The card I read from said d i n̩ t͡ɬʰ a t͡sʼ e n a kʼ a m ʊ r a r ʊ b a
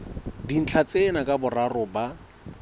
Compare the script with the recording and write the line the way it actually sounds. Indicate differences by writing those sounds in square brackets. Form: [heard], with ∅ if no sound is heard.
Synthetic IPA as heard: d i n̩ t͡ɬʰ a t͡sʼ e n a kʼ a [b] ʊ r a r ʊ b a